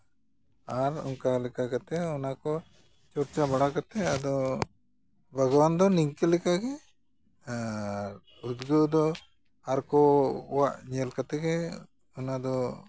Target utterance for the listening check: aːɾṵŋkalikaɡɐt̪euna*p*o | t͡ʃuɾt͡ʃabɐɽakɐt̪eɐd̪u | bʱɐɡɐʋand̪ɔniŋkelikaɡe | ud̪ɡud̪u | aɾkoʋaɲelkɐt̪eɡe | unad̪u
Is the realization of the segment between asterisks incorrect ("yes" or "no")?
yes